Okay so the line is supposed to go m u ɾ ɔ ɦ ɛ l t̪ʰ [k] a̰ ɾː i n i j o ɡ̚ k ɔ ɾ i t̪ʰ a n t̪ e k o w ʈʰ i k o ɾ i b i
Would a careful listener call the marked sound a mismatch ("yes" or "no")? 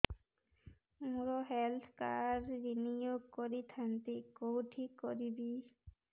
no